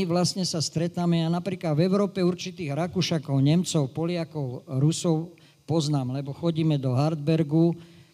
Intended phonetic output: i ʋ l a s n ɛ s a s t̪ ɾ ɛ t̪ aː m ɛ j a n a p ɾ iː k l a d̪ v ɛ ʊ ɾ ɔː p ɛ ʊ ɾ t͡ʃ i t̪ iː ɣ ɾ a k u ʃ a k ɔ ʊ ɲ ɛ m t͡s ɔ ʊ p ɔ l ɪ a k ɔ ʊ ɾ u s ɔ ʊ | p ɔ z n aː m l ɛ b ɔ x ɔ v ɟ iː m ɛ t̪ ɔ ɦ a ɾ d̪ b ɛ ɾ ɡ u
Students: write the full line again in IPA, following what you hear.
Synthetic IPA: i ʋ l a s ɲ ɛ s a s t̪ ɾ ɛ t̪ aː m ɛ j a n a p ɾ iː k l a d̪ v ɛ ʊ ɾ ɔː p ɛ u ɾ t͡ʃ i t̪ iː ɣ ɾ a k u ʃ a k ɔ ʊ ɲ ɛ m t͡s ɔ ʊ p ɔ l ɪ a k ɔ ʊ ɾ u s ɔ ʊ | p ɔ z n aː m l ɛ b ɔ x ɔ ɟ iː m ɛ d̪ ɔ ɦ a ɾ d̪ b ɛ ɾ ɡ u